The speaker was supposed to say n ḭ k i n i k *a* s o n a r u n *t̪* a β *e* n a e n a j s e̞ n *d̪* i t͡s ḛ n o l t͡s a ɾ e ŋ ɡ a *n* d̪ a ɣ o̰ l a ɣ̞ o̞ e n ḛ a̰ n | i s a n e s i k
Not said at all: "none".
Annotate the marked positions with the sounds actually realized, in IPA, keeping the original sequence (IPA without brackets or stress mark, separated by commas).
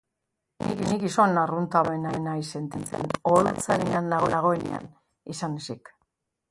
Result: i, t̪, e, t̪, n